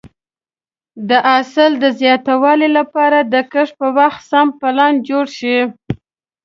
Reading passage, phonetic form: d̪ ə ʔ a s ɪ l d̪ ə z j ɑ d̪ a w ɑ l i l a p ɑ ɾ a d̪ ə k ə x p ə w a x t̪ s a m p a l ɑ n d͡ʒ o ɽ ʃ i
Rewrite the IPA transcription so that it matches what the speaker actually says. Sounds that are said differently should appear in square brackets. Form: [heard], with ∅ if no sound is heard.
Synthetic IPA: d̪ ə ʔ a s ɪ l d̪ ə z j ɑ [t̪] a w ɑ l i l a p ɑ ɾ a d̪ ə k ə [ʂ] p ə w a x t̪ s a m p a l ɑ n d͡ʒ o ɽ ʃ i